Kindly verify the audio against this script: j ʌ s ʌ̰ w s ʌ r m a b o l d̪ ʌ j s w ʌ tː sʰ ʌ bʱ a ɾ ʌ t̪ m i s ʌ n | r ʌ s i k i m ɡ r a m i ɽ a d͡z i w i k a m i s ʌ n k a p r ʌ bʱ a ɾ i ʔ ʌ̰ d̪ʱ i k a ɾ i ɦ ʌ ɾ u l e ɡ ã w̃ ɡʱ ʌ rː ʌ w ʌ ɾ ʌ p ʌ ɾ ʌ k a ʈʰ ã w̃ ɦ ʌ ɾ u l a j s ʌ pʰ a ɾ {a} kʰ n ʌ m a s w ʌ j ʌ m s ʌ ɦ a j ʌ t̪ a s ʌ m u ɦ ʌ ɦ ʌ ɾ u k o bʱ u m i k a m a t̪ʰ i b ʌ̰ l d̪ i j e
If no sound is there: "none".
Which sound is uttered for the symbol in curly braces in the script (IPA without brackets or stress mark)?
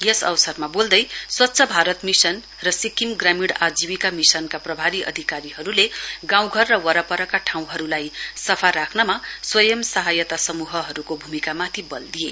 a